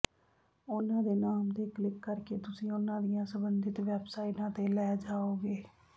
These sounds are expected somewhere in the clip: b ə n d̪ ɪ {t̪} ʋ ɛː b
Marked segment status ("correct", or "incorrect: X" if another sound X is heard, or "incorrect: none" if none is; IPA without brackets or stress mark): correct